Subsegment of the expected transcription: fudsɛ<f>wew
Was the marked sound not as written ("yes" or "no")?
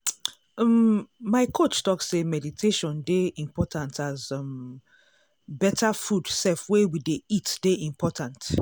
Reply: no